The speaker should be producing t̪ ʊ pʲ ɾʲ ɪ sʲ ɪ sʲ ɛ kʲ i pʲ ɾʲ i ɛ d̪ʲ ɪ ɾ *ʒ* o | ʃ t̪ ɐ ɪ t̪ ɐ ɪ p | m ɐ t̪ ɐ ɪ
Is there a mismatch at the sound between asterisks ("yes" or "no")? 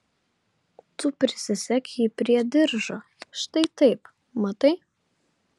no